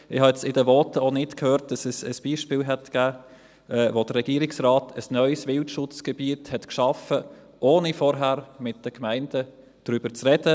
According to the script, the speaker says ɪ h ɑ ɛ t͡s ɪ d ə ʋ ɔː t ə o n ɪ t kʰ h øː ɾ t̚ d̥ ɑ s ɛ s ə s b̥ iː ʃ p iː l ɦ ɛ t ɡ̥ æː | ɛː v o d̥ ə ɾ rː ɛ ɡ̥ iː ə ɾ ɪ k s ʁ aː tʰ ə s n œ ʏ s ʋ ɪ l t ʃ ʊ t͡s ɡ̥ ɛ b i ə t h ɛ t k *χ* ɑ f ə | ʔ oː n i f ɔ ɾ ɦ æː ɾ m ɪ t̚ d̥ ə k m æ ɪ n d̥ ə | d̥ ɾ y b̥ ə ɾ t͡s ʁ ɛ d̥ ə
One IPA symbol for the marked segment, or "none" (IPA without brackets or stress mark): ʃ